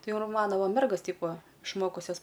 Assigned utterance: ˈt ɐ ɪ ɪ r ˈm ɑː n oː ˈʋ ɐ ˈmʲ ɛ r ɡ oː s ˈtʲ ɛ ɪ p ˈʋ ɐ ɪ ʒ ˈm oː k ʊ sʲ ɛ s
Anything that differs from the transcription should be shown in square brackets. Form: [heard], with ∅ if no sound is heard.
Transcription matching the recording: ˈt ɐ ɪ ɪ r ˈm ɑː n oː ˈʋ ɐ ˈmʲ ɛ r ɡ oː s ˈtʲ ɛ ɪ p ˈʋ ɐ ɪ [ʃ] ˈm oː k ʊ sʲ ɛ s

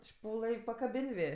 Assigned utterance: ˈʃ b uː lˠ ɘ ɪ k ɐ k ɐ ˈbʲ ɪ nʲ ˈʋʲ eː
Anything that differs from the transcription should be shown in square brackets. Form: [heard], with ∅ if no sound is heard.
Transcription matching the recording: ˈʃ [p] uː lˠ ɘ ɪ [p] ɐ k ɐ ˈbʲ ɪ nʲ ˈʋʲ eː

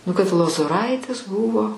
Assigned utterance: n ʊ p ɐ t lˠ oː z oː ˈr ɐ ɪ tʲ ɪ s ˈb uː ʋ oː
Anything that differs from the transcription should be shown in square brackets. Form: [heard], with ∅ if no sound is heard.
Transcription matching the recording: n ʊ [k] ɐ t lˠ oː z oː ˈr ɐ ɪ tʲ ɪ s ˈb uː ʋ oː

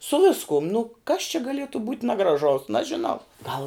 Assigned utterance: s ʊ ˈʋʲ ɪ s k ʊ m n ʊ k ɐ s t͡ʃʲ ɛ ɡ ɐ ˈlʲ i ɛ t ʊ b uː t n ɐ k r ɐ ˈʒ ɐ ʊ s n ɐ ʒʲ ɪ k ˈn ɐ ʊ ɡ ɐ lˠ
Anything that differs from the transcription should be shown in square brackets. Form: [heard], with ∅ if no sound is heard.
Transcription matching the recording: s ʊ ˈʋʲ ɪ s k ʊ m n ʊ k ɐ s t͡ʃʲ ɛ ɡ ɐ ˈlʲ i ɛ t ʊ b uː t n ɐ [ɡ] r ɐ ˈʒ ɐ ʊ s n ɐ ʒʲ ɪ [∅] ˈn ɐ ʊ ɡ ɐ lˠ

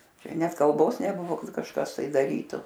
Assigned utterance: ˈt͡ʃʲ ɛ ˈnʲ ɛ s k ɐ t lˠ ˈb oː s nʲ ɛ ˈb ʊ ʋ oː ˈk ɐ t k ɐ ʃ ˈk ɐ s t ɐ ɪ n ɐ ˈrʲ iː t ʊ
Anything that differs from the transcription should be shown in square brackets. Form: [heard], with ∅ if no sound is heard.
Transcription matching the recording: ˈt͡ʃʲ ɛ ˈnʲ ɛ [t] k ɐ [∅] lˠ ˈb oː s nʲ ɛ ˈb ʊ ʋ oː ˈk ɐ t k ɐ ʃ ˈk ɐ s t ɐ ɪ [d] ɐ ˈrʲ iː t ʊ

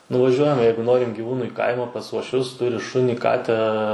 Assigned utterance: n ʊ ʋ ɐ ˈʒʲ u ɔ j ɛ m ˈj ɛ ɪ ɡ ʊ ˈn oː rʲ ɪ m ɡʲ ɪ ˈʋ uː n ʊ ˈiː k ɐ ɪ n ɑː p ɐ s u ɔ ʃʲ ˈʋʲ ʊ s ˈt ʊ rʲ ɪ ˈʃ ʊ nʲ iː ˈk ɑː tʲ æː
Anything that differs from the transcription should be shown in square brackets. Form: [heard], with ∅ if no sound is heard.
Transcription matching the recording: n ʊ ʋ ɐ ˈʒʲ u ɔ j ɛ m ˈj ɛ ɪ ɡ ʊ ˈn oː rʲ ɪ m ɡʲ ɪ ˈʋ uː n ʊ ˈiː k ɐ ɪ [m] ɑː p ɐ s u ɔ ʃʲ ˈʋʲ ʊ s ˈt ʊ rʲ ɪ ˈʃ ʊ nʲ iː ˈk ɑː tʲ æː

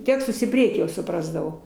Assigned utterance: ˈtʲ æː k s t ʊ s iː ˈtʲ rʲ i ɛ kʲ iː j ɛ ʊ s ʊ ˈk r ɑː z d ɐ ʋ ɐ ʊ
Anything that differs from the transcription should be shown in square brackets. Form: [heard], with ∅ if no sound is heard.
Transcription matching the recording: ˈtʲ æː k s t ʊ s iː [ˈpʲ] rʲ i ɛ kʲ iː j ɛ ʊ s ʊ [ˈp] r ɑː z d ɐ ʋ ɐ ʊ

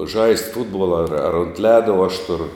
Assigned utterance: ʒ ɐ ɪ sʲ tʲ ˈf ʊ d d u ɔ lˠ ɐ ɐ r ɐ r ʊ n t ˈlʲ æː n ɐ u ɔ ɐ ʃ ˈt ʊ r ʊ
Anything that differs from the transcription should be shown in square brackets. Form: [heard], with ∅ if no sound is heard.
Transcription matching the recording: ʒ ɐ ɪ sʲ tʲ ˈf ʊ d [b] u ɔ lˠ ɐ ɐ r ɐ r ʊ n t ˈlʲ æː [d] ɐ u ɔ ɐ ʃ ˈt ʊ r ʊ

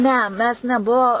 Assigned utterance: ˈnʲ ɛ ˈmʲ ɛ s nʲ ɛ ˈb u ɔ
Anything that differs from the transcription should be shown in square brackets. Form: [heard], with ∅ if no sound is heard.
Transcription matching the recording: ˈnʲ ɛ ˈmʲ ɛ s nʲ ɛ ˈb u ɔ

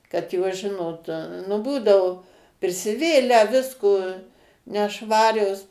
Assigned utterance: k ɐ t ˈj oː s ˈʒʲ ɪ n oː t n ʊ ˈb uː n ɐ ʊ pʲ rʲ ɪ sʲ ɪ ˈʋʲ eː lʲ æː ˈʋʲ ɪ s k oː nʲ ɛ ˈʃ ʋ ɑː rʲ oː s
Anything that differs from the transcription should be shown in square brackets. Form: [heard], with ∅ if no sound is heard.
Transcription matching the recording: k ɐ t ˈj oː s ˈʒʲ ɪ n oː t n ʊ ˈb uː [d] ɐ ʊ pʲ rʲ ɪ sʲ ɪ ˈʋʲ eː lʲ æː ˈʋʲ ɪ s k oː nʲ ɛ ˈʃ ʋ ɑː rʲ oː s

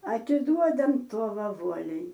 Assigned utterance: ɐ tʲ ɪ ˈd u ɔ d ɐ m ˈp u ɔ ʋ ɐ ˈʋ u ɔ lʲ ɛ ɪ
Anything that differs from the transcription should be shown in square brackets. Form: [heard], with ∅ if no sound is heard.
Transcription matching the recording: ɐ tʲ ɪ ˈd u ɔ d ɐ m [ˈt] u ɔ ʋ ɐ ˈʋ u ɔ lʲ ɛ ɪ

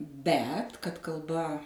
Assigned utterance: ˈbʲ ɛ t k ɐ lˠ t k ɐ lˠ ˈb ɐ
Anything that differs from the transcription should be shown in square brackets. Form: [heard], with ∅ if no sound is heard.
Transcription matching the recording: ˈbʲ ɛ t k ɐ [∅] t k ɐ lˠ ˈb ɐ

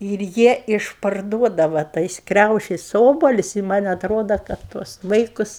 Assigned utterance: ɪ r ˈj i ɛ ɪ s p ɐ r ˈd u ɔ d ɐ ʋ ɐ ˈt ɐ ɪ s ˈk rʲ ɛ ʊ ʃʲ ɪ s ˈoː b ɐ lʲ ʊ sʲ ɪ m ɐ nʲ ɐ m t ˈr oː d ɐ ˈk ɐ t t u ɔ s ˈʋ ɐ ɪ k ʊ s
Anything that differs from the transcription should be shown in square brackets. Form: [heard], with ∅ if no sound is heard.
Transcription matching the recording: ɪ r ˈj i ɛ ɪ [ʃ] p ɐ r ˈd u ɔ d ɐ ʋ ɐ ˈt ɐ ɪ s ˈk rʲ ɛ ʊ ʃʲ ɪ s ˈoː b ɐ lʲ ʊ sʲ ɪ m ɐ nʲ ɐ [∅] t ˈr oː d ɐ ˈk ɐ t t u ɔ s ˈʋ ɐ ɪ k ʊ s

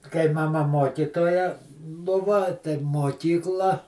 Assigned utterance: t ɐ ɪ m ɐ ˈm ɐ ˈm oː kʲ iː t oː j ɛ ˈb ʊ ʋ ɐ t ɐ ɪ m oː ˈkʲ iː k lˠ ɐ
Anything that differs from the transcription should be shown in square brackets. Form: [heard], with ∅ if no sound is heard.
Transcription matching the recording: [k] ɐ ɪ m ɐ ˈm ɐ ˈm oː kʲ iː t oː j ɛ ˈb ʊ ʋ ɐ t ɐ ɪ m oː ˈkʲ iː k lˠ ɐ

